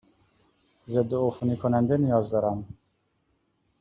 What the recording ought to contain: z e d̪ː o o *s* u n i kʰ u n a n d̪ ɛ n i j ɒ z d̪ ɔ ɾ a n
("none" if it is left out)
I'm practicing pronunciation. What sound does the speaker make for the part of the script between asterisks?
f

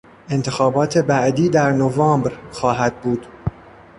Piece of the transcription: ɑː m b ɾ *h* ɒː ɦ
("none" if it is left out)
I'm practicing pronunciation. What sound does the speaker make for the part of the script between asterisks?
x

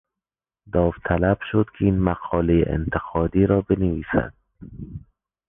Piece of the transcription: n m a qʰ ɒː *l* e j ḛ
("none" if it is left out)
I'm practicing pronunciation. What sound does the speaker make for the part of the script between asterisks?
l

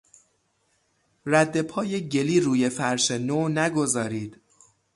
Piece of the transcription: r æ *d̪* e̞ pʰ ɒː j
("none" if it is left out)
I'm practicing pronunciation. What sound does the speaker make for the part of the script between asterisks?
d̪ː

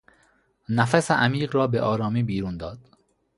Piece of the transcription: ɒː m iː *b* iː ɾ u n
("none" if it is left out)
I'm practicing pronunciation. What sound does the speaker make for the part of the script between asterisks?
b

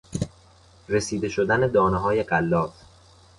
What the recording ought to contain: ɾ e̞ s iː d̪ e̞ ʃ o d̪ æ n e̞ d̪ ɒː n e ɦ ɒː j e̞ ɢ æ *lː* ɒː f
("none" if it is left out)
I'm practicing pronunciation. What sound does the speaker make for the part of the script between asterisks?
lː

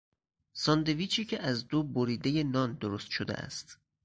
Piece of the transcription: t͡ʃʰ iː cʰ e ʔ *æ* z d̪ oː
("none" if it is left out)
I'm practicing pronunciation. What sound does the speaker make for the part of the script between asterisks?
æ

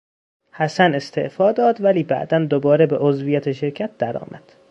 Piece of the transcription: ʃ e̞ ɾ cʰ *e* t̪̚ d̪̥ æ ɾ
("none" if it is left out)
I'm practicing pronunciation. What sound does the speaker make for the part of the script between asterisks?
æ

